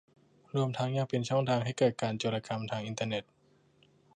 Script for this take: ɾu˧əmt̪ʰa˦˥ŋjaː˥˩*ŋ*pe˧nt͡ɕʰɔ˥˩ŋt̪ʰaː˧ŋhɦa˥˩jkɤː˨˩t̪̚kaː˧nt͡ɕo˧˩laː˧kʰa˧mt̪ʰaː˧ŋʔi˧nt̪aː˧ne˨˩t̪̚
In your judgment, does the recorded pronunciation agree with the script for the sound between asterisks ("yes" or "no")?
yes